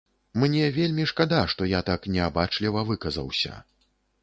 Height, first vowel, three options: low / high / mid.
mid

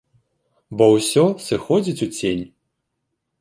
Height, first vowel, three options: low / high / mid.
mid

